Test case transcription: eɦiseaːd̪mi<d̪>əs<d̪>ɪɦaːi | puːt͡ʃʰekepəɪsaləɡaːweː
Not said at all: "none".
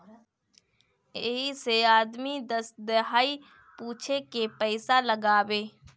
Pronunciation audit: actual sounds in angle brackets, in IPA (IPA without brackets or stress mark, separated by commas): d̪, d̪